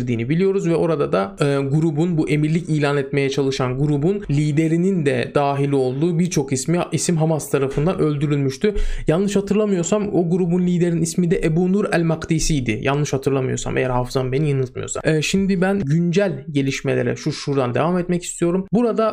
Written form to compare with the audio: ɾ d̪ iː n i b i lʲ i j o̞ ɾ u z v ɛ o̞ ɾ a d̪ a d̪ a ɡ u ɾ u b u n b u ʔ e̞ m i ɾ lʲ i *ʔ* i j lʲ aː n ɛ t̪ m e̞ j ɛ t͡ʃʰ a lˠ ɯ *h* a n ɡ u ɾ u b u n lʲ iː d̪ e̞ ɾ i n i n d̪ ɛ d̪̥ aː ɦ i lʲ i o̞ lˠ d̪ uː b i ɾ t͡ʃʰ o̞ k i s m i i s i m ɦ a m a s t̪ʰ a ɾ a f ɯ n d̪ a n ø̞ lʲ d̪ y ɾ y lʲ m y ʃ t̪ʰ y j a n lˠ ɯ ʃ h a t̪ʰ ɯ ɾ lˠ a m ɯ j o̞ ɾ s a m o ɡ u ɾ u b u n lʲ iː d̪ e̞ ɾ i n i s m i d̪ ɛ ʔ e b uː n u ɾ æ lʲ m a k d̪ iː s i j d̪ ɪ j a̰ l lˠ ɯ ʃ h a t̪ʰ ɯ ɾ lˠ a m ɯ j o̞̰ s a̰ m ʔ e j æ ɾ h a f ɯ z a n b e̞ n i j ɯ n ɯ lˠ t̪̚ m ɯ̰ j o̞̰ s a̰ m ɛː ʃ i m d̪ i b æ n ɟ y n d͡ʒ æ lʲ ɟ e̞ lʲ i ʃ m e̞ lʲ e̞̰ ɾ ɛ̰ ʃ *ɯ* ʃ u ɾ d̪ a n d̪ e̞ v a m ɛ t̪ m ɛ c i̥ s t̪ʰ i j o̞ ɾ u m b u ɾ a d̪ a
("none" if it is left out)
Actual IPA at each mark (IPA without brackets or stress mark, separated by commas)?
c, ʃ, u